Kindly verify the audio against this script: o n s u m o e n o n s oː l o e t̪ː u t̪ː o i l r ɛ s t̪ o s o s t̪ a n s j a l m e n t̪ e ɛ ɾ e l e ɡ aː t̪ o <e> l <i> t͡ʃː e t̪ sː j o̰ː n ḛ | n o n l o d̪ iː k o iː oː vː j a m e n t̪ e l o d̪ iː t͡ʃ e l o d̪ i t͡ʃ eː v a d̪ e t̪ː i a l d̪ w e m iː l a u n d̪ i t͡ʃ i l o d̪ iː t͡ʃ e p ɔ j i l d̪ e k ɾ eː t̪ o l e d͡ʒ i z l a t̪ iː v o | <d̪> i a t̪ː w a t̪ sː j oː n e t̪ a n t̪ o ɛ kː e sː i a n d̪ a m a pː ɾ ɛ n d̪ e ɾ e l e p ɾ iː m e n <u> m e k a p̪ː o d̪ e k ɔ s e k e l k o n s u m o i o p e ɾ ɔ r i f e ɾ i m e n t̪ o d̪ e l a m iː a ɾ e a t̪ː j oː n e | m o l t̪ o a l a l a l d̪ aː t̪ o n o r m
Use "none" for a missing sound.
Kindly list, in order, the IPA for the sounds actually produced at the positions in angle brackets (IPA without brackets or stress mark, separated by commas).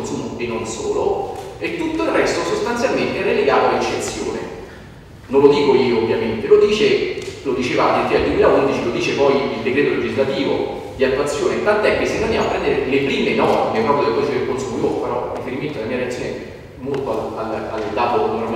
a, e, d̪, ɔ